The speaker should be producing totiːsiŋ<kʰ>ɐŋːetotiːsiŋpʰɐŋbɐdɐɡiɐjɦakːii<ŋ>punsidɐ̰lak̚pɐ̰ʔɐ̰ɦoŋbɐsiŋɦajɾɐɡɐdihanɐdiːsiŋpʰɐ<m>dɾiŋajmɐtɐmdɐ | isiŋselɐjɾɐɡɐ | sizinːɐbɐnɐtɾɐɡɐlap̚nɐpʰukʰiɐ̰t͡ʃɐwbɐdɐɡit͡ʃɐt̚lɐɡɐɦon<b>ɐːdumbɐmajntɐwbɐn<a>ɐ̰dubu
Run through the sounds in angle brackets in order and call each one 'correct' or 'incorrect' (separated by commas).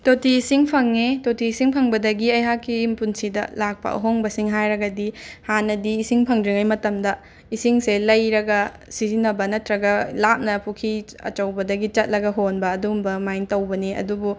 incorrect, incorrect, incorrect, correct, incorrect